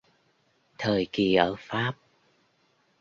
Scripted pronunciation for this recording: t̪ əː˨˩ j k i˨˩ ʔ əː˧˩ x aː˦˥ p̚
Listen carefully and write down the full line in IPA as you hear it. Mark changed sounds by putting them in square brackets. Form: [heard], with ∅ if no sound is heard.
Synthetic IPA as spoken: [t̪ʰ] əː˨˩ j k i˨˩ ʔ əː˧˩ [f] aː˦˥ p̚

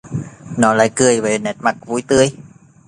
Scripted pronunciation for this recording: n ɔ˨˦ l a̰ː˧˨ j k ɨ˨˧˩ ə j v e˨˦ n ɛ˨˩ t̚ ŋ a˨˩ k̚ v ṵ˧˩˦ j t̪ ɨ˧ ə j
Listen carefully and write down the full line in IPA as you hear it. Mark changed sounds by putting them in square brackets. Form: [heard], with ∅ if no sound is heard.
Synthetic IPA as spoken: n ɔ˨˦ l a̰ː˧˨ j k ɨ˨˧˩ ə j v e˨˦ n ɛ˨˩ t̚ [m] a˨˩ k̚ v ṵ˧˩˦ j t̪ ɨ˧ ə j

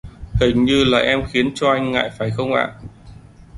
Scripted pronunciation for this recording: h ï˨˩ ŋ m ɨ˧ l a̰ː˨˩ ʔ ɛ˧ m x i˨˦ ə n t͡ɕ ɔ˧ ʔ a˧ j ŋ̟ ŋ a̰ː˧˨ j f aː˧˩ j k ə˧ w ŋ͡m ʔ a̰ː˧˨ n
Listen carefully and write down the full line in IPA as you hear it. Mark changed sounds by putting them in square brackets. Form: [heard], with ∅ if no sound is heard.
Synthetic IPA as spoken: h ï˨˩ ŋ [ɲ] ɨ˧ l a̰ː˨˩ ʔ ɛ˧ m x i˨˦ ə n t͡ɕ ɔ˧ ʔ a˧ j ŋ̟ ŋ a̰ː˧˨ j f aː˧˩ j [x] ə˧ w ŋ͡m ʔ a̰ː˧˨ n

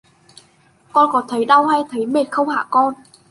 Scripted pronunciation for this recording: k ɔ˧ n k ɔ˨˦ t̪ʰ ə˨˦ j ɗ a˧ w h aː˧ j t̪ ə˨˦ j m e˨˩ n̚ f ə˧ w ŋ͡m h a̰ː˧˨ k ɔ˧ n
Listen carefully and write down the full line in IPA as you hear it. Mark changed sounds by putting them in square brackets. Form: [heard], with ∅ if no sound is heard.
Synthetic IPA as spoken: k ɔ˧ n k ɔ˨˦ t̪ʰ ə˨˦ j ɗ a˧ w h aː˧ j [t̪ʰ] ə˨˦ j m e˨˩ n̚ [x] ə˧ w ŋ͡m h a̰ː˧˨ k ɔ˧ n

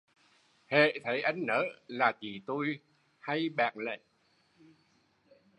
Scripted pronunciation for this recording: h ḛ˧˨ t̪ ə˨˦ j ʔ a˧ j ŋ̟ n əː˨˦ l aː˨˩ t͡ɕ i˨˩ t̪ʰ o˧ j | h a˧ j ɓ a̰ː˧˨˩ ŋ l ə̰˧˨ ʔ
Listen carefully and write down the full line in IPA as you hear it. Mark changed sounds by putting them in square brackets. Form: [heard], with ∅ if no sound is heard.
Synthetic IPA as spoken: h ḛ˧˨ [t̪ʰ] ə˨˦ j ʔ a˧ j ŋ̟ n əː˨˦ l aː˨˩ t͡ɕ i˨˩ [t̪] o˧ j | h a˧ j ɓ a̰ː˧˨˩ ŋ l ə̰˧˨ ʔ

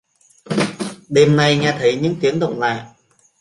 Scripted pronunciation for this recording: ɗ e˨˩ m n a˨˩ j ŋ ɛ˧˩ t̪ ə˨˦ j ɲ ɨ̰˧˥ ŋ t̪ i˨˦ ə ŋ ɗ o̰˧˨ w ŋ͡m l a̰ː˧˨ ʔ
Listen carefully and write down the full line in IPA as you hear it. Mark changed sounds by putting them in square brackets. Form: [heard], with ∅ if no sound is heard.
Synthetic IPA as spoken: ɗ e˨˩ m n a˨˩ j ŋ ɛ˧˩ [t̪ʰ] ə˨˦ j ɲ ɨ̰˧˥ ŋ t̪ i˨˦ ə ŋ ɗ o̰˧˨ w ŋ͡m l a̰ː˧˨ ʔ

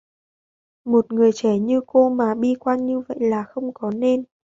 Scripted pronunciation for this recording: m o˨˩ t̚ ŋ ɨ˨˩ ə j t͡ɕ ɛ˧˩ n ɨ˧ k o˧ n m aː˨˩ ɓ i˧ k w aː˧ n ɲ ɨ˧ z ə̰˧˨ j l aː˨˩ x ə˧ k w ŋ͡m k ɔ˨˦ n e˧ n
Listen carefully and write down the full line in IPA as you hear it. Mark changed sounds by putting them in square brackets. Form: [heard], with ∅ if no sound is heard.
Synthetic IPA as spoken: m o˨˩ t̚ ŋ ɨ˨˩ ə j t͡ɕ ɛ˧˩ [ɲ] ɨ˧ k o˧ [∅] m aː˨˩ ɓ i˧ k w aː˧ n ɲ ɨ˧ [v] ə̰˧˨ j l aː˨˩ x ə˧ [∅] w ŋ͡m k ɔ˨˦ n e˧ n

